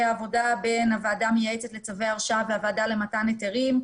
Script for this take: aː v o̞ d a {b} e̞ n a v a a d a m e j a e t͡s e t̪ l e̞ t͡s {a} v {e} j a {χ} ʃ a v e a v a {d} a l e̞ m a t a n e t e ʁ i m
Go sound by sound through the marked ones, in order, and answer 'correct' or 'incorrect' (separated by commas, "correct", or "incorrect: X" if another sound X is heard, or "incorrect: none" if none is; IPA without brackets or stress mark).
correct, correct, correct, incorrect: ʁ, correct